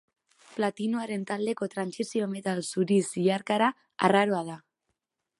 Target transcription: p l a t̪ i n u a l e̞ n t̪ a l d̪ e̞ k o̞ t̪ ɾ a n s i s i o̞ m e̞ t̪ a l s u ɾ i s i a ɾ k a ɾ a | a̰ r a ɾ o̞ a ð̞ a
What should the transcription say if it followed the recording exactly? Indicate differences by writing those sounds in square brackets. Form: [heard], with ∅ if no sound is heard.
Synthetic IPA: p l a t̪ i n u a [ɾ] e̞ n t̪ a l d̪ e̞ k o̞ t̪ ɾ a n s i s i o̞ m e̞ t̪ a l s u ɾ i s i a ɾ k a ɾ a | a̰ r a ɾ o̞ a ð̞ a